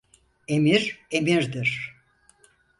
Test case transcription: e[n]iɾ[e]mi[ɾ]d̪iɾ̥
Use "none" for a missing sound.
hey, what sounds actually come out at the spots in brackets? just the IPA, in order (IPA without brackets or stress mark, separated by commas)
m, e, ɾ